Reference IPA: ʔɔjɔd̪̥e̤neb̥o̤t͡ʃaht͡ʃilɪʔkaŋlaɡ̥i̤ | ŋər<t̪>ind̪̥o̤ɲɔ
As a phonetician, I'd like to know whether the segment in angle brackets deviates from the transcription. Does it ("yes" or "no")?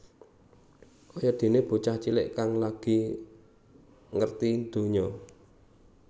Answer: no